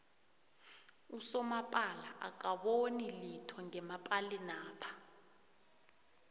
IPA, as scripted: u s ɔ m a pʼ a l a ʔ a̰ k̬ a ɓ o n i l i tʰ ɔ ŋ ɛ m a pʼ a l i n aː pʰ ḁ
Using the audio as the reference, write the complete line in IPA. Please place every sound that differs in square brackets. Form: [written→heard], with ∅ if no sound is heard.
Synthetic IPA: u s ɔ m a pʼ a l a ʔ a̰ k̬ a ɓ o n i l i tʰ ɔ ŋ ɛ m a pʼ a l i n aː pʰ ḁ